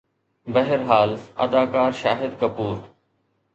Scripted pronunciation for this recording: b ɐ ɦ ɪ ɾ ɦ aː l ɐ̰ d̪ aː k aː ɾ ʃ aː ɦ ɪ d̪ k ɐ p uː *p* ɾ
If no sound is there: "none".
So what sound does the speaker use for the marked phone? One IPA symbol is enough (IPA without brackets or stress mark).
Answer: none